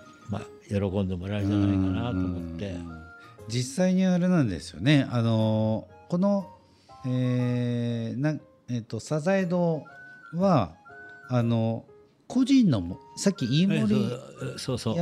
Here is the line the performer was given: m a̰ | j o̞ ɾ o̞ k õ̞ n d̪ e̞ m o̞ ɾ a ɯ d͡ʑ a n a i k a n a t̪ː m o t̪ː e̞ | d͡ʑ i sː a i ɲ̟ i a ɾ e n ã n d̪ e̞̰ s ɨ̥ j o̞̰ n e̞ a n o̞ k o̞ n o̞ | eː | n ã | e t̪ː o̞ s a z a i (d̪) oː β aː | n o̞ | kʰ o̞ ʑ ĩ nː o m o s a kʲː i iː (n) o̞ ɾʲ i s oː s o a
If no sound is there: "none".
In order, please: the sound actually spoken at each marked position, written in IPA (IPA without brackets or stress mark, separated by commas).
d̪, m